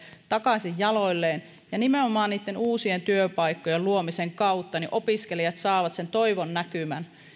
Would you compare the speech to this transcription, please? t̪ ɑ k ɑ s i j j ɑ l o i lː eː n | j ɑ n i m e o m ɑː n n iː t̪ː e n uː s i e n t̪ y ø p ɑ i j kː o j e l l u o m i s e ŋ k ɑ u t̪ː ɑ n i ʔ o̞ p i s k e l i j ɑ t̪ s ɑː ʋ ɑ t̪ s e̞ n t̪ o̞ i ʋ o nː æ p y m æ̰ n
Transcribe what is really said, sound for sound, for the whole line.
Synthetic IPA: t̪ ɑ k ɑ s i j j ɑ l o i lː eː n | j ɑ n i m e o m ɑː n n iː t̪ː e n uː s i e n t̪ y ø p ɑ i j kː o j e l l u o m i s e ŋ k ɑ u t̪ː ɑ n i ʔ o̞ p i s k e l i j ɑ t̪ s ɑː ʋ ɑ t̪ s e̞ n t̪ o̞ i ʋ o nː æ k y m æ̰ n

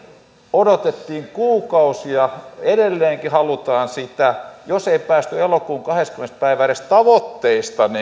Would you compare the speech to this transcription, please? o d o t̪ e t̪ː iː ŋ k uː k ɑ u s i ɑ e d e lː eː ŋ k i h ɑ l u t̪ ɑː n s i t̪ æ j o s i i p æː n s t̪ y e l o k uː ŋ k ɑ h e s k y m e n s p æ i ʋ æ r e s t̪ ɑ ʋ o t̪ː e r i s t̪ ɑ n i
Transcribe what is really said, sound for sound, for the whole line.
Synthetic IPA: o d o t̪ e t̪ː iː ŋ k uː k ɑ u s i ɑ e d e lː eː ŋ k i h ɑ l u t̪ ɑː n s i t̪ æ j o s e i p æː s t̪ y e l o k uː ŋ k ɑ h e s k y m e n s p æ i ʋ æ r e s t̪ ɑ ʋ o t̪ː e i s t̪ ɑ n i

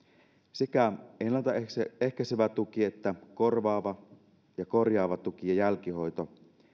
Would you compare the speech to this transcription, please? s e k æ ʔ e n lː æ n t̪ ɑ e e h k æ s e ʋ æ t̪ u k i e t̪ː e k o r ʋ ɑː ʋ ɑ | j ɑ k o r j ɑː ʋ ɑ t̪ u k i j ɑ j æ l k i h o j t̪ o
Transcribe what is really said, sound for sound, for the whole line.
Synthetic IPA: s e k æ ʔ e n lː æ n t̪ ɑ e e h k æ s e ʋ æ t̪ u k i e t̪ː æ k o r ʋ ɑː ʋ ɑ | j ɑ k o r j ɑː ʋ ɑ t̪ u k i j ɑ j æ l k i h o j t̪ o

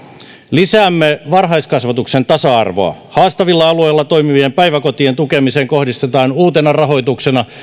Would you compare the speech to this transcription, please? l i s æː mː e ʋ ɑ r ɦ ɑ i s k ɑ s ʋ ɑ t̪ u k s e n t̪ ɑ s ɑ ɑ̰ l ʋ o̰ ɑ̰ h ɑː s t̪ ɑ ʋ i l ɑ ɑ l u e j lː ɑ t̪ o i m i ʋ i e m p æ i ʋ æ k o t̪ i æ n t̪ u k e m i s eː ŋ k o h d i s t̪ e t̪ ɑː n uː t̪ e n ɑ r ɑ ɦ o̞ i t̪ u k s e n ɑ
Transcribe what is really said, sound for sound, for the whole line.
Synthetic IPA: l i s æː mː e ʋ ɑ r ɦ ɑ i s k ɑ s ʋ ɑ t̪ u k s e n t̪ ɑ s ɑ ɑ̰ r ʋ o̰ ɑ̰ h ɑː s t̪ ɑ ʋ i lː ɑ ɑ l u e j lː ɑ t̪ o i m i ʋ i e m p æ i ʋ æ k o t̪ i e n t̪ u k e m i s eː ŋ k o h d i s t̪ e t̪ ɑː n uː t̪ e n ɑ r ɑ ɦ o̞ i t̪ u k s e n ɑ

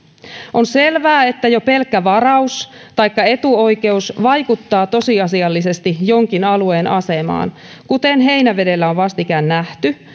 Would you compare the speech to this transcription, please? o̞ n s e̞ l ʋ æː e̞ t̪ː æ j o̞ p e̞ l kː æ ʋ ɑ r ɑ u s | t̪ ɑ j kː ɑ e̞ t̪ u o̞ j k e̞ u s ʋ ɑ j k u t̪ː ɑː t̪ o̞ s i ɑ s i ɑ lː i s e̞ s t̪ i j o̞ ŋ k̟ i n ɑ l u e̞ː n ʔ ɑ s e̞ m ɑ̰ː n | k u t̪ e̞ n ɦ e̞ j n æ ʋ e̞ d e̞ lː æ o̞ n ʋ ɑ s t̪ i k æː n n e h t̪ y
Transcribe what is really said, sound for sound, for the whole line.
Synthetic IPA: o̞ n s e̞ l ʋ æː e̞ t̪ː æ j o̞ p e̞ l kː æ ʋ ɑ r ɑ u s | t̪ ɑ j kː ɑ e̞ t̪ u o̞ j k e̞ u s ʋ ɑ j k u t̪ː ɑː t̪ o̞ s i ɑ s i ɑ lː i s e̞ s t̪ i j o̞ ŋ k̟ i n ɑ l u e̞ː n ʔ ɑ s e̞ m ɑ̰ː n | k u t̪ e̞ n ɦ e̞ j n æ ʋ e̞ d e̞ lː æ o̞ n ʋ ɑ s t̪ i k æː n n æ h t̪ y

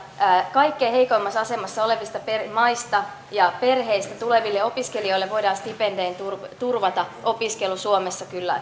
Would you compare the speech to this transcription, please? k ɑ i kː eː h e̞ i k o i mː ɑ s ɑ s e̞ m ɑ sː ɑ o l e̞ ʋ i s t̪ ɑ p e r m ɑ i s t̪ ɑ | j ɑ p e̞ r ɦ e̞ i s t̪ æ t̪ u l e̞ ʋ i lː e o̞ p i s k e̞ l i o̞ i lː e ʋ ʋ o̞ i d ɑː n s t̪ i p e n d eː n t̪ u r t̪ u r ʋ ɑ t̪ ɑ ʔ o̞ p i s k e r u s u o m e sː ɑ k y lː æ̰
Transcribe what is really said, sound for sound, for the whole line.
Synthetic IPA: k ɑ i kː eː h e̞ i k o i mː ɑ s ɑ s e̞ m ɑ sː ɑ o l e̞ ʋ i s t̪ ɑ p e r m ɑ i s t̪ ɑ | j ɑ p e̞ r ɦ e̞ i s t̪ æ t̪ u l e̞ ʋ i lː e o̞ p i s k e̞ l i o̞ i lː e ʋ ʋ o̞ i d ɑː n s t̪ i p e n d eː n t̪ u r t̪ u r ʋ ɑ t̪ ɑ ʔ o̞ p i s k e l u s u o m e sː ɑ k y lː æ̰

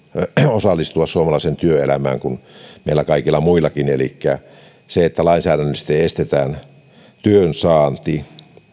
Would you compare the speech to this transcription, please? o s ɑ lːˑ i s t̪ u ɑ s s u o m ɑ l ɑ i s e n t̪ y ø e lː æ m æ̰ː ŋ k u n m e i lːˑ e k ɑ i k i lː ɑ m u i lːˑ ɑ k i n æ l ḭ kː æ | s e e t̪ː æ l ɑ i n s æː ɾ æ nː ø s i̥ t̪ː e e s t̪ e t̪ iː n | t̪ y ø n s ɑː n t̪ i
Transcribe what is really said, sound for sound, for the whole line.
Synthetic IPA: o s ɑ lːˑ i s t̪ u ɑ s s u o m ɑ l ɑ i s e n t̪ y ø e l æ m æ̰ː ŋ k u n m e i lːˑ æ k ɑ i k i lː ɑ m u i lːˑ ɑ k i n e l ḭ kː æ | s e e t̪ː æ l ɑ i n s æː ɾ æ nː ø s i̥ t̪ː e e s t̪ e t̪ æː n | t̪ y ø n s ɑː n t̪ i

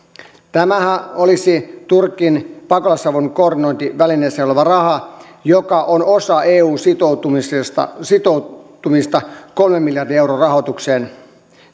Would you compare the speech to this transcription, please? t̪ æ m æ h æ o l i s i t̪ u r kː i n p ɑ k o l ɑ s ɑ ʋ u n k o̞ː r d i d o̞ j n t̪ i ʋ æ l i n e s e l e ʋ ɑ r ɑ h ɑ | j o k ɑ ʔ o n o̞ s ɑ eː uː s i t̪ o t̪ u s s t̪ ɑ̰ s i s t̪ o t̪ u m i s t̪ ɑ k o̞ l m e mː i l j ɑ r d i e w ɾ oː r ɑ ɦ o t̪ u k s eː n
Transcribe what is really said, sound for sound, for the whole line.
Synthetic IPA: t̪ æ m æ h æ o l i s i t̪ u r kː i n p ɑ k o l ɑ s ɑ ʋ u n k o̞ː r d i n o̞ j n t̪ i ʋ æ l i n e s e l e ʋ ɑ r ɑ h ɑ | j o k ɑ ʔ o n o̞ s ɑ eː uː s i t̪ o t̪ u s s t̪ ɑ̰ s i t̪ o t̪ u m i s t̪ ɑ k o̞ l m e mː i l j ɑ r d i e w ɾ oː r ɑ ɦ o t̪ u k s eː n

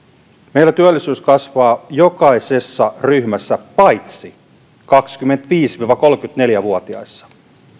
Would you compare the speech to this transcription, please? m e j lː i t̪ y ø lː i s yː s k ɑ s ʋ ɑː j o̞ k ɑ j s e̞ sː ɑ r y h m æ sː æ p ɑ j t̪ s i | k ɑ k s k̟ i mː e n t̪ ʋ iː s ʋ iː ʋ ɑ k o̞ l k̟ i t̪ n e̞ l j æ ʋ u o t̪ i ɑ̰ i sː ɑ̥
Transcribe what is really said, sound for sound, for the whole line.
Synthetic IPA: m e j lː æ t̪ y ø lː i s yː s k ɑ s ʋ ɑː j o̞ k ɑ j s e̞ sː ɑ r y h m æ sː æ p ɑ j t̪ s i | k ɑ k s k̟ y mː e n t̪ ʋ iː s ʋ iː ʋ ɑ k o̞ l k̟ y t̪ n e̞ l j æ ʋ u o t̪ i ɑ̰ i sː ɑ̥

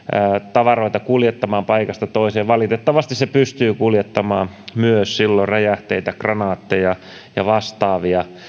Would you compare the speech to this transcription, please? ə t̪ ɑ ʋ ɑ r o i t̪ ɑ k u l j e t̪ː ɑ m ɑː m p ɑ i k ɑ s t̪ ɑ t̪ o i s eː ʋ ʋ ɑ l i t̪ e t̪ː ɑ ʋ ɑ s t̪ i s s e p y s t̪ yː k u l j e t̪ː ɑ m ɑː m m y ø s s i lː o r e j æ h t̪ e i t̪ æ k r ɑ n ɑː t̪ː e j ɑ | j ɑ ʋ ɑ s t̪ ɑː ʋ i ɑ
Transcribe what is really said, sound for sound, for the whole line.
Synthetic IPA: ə t̪ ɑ ʋ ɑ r o i t̪ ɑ k u l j e t̪ː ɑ m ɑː m p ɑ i k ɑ s t̪ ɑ t̪ o i s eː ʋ ʋ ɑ l i t̪ e t̪ː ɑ ʋ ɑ s t̪ i s s e p y s t̪ yː k u l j e t̪ː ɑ m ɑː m m y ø s s i lː o r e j æ h t̪ e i t̪ æ k r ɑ n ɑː t̪ː e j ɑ | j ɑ ʋ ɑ s t̪ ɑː ʋ i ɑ

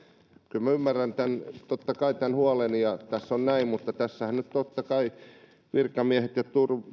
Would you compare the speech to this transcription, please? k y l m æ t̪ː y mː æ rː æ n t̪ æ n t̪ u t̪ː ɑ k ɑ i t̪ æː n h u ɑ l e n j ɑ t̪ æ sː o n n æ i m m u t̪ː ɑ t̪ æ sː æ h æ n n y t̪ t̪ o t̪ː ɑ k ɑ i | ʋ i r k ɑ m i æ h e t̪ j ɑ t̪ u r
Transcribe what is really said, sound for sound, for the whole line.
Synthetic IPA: k y l m æ y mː æ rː æ n t̪ æ n t̪ o t̪ː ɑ k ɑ i t̪ æ n h u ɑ l e n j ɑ t̪ æ sː o n n æ i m m u t̪ː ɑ t̪ æ sː æ h æ n n y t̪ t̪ o t̪ː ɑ k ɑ i | ʋ i r k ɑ m i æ h e t̪ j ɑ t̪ u r

